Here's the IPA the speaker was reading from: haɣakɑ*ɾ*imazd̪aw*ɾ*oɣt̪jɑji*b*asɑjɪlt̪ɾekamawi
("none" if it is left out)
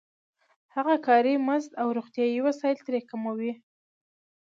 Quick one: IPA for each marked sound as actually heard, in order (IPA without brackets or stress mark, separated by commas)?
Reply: ɾ, ɾ, w